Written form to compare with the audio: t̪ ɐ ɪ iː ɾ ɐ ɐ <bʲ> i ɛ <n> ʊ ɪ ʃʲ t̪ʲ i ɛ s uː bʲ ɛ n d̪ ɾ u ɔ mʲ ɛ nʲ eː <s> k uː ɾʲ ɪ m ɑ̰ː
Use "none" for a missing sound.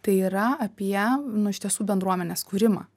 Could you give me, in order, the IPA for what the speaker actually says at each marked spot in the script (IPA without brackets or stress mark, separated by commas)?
pʲ, n, s